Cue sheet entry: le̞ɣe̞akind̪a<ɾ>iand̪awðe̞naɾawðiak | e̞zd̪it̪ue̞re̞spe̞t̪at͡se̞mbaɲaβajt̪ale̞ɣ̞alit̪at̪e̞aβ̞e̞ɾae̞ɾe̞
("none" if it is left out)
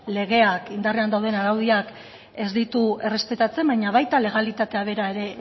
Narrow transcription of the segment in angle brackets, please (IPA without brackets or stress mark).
r